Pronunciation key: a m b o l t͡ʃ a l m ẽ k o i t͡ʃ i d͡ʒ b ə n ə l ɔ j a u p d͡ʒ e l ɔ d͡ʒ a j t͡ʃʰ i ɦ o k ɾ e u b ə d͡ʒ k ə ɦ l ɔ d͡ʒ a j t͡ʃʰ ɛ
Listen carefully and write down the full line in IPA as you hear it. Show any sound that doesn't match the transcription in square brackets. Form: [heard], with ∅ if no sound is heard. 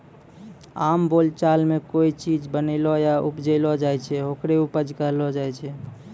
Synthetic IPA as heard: a m b o l t͡ʃ a l m [e] k o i t͡ʃ i d͡ʒ b ə n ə l ɔ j a u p d͡ʒ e l ɔ d͡ʒ a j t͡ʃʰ [ɛ] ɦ o k ɾ e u [p] ə d͡ʒ k ə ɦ l ɔ d͡ʒ a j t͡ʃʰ ɛ